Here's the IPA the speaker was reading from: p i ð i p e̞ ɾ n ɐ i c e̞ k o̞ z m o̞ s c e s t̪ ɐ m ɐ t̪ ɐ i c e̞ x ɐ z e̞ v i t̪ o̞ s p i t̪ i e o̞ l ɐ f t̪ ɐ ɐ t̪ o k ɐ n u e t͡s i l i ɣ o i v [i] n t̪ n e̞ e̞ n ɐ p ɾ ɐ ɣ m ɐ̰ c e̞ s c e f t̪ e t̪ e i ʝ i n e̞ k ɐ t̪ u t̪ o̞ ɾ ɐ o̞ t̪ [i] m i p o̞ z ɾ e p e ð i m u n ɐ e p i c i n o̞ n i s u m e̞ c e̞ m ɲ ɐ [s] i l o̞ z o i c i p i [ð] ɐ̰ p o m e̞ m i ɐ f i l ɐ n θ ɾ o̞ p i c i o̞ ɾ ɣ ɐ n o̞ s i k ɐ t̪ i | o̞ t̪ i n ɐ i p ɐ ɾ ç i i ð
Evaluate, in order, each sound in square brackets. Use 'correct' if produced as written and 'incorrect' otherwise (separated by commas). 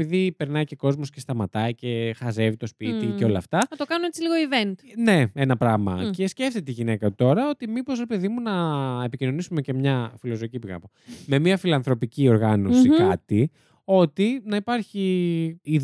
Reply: incorrect, correct, incorrect, incorrect